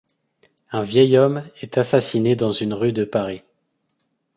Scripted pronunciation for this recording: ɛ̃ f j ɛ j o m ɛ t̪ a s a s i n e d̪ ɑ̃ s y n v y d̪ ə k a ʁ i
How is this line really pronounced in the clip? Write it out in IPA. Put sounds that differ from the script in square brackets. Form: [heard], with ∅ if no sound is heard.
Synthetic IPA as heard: ɛ̃ [v] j ɛ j [ɔ] m ɛ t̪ a s a s i n e d̪ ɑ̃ [z] y n [ʁ] y d̪ ə [p] a ʁ i